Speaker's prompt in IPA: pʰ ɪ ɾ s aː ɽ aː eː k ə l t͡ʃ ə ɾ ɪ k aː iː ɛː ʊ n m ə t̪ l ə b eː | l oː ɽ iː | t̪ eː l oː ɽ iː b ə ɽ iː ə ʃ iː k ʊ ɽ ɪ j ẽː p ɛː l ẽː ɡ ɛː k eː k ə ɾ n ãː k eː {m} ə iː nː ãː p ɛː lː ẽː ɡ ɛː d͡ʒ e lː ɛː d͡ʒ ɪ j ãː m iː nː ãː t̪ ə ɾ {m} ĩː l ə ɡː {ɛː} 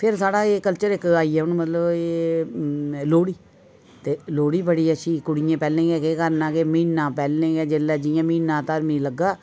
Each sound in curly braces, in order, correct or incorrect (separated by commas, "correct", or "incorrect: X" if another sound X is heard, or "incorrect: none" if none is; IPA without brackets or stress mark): correct, correct, incorrect: aː